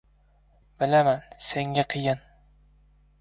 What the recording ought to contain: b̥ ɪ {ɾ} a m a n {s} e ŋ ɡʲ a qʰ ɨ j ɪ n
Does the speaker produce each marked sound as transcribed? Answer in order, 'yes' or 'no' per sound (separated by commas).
no, yes